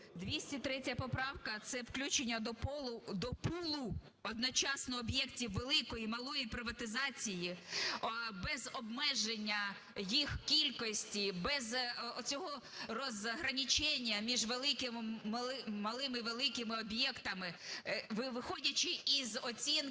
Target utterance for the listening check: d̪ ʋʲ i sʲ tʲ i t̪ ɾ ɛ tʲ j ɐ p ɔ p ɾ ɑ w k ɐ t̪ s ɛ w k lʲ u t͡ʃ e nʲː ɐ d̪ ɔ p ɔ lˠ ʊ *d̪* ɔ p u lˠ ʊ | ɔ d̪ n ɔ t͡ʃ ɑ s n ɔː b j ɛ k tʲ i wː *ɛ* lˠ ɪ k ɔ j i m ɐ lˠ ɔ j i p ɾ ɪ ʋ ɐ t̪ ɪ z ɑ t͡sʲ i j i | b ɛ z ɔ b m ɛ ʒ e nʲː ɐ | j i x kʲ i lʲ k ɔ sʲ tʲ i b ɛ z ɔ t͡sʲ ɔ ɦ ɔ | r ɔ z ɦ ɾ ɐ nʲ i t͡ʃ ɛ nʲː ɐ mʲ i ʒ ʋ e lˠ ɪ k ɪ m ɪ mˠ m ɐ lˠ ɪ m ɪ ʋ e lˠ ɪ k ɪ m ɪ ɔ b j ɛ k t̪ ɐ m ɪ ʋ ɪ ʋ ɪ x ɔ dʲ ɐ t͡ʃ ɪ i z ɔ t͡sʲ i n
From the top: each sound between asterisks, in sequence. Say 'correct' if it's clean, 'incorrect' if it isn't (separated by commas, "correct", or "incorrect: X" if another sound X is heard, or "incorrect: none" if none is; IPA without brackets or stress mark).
correct, incorrect: e